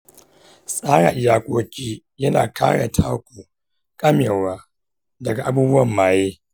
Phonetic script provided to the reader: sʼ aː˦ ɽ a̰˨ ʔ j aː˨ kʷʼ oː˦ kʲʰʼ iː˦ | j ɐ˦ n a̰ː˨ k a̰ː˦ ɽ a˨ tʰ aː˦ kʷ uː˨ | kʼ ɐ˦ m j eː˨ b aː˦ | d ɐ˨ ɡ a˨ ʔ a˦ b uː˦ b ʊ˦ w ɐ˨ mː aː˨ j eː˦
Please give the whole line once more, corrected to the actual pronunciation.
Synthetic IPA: sʼ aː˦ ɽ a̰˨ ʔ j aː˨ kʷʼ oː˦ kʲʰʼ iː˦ | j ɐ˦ n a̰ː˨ k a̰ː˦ ɽ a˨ tʰ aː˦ kʷ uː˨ | kʼ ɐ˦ m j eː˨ w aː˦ | d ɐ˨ ɡ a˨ ʔ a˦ b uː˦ b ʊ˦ w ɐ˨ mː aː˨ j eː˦